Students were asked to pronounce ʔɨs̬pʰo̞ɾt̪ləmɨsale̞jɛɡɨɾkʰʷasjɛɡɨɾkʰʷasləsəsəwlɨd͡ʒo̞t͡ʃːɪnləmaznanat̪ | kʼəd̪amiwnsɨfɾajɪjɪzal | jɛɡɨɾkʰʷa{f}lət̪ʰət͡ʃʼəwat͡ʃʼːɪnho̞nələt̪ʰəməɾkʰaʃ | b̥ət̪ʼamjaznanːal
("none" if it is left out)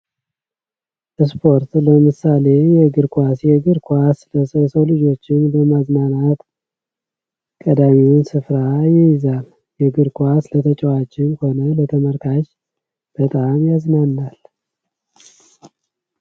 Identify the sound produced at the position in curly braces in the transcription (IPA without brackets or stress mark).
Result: s